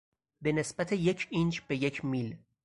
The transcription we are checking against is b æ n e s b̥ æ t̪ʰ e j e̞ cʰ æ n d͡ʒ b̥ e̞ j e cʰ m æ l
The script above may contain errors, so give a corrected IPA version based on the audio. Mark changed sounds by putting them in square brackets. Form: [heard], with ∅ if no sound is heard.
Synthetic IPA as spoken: b [e] n e s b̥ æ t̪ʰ e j e̞ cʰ [i] n d͡ʒ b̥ e̞ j e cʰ m [i] l